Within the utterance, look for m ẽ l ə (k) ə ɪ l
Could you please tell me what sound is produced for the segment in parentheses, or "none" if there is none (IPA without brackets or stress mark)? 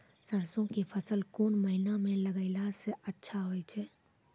ɡ